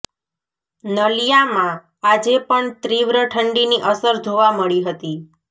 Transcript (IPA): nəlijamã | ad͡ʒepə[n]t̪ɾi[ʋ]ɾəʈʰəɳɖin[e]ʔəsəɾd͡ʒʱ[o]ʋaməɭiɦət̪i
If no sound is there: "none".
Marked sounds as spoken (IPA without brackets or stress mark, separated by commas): ɳ, ʋ, i, o